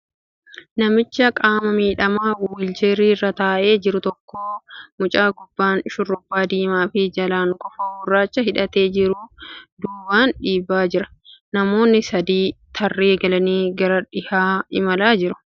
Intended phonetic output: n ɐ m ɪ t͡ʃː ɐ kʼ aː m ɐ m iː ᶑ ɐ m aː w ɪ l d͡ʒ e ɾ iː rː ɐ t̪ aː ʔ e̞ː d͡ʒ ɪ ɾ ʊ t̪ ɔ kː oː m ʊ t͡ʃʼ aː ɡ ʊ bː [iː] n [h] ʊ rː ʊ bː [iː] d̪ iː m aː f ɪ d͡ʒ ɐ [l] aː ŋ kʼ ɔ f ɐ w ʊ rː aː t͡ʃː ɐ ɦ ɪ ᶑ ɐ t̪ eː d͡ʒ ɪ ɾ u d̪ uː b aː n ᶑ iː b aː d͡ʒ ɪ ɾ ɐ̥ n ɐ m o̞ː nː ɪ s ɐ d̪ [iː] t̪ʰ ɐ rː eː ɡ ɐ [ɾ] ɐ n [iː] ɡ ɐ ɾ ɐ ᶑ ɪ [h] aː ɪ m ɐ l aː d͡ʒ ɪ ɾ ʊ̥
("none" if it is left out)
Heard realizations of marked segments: aː, ʃ, aː, l, iː, l, iː, h

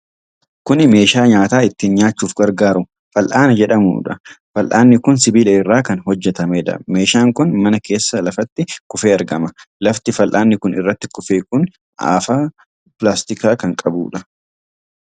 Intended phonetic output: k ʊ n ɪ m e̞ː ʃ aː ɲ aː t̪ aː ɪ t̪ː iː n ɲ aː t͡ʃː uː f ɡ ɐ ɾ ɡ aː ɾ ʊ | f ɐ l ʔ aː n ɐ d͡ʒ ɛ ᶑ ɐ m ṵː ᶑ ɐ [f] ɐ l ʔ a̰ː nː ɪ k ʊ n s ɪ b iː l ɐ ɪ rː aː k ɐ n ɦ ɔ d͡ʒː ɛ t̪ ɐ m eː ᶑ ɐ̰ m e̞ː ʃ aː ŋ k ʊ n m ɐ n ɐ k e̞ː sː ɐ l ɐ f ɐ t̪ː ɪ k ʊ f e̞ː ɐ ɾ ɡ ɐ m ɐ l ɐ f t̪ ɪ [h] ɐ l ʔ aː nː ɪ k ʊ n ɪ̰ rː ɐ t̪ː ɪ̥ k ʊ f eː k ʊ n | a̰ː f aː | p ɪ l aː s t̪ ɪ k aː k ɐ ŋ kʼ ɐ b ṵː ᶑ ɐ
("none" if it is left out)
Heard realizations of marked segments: f, f

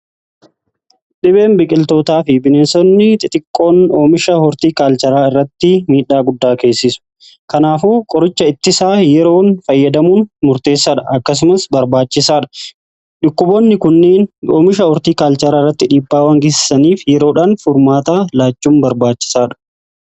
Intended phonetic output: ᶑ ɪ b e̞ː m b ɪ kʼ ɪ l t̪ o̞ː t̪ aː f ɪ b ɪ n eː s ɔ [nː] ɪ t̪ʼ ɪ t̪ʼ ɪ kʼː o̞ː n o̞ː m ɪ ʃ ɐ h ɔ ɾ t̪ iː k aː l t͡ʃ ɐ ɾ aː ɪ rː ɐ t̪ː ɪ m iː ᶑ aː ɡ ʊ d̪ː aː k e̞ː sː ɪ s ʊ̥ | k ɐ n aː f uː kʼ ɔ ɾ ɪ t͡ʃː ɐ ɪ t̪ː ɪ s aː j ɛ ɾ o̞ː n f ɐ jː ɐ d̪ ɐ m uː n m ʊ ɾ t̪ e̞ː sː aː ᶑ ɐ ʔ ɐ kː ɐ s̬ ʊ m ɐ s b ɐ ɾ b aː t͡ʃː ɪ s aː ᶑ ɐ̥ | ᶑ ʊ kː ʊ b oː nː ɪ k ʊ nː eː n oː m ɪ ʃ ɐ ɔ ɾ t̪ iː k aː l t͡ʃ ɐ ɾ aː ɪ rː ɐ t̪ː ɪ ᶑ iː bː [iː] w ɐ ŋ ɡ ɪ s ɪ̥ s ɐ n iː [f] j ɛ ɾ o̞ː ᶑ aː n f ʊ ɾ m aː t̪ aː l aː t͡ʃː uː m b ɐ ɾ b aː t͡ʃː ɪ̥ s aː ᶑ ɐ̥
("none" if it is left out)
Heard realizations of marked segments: nː, aː, f

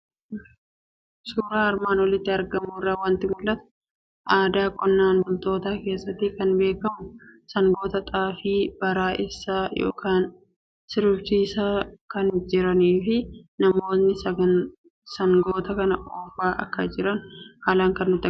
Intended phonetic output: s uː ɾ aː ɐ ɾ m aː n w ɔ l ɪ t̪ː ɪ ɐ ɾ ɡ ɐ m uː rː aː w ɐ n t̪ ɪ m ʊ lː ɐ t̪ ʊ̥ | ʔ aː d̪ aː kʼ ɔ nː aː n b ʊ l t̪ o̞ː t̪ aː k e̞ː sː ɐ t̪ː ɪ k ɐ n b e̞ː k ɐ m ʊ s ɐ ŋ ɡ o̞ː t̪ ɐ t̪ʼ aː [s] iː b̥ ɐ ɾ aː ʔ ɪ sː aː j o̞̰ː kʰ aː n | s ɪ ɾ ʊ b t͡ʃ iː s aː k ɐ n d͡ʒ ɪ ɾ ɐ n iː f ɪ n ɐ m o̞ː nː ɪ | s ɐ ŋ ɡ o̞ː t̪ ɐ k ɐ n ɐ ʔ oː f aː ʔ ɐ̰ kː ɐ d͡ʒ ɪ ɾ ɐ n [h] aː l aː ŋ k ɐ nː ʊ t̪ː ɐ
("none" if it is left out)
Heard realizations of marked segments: f, h

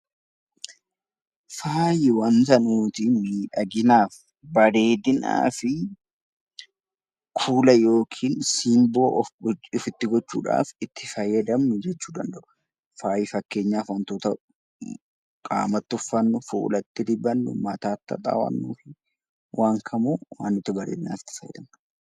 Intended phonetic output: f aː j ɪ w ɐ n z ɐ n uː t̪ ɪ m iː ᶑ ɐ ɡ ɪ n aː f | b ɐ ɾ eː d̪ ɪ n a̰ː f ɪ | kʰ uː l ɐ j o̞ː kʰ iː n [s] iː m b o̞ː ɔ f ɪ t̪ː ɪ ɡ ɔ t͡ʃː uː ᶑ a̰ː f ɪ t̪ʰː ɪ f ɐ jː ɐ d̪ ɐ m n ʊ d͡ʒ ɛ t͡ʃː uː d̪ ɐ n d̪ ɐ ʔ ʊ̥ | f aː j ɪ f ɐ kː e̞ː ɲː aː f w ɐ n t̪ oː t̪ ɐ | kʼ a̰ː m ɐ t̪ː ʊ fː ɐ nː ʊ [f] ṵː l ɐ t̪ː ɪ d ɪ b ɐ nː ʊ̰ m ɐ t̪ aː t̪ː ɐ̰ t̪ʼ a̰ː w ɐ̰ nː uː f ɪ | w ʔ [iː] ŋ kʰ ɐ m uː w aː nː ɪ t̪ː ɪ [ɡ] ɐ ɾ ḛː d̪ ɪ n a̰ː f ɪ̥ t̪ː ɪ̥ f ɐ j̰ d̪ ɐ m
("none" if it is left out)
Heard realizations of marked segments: s, f, aː, b

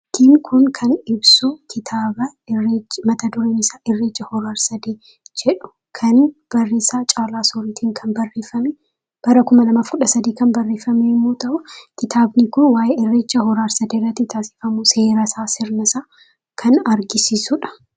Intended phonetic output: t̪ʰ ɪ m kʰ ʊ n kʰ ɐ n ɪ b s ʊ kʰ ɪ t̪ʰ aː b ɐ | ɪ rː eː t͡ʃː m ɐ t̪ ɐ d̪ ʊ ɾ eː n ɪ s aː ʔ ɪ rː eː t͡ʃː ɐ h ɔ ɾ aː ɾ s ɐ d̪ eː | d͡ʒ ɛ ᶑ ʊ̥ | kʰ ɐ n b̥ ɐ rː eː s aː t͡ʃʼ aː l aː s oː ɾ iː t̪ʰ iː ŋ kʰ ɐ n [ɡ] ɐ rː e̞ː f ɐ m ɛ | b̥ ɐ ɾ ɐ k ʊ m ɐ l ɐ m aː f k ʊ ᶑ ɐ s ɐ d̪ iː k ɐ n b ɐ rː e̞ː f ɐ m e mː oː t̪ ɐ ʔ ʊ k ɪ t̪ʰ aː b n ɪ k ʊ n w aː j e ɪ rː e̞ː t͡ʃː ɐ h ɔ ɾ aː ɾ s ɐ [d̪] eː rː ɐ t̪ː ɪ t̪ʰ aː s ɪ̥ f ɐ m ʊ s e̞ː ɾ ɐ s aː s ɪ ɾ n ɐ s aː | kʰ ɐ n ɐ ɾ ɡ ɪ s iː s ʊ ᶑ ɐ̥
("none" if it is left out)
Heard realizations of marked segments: b, d̪

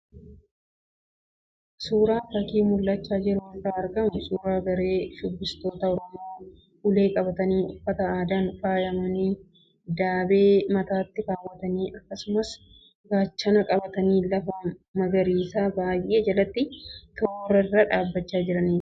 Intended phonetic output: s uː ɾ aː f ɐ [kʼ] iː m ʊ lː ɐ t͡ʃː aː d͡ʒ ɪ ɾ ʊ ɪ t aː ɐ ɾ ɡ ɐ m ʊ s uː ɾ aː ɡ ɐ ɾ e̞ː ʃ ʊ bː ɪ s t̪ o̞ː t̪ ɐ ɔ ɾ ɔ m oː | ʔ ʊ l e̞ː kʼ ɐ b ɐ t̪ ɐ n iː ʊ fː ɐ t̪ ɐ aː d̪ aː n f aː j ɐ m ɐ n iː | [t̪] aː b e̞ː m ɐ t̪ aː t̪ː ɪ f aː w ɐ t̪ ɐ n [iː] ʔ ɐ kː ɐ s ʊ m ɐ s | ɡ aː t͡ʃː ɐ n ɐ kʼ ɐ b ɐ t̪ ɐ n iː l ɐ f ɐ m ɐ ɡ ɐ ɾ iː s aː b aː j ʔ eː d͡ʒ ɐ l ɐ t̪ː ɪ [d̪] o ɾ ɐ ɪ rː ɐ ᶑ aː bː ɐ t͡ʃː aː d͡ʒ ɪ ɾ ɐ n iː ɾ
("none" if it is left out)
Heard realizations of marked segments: k, d̪, iː, t̪

